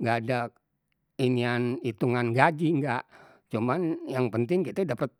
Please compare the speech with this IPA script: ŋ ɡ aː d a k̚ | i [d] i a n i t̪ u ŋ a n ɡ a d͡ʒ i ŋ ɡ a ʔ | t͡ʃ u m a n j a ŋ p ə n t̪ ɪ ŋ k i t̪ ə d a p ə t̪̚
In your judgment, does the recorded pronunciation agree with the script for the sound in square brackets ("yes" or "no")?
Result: no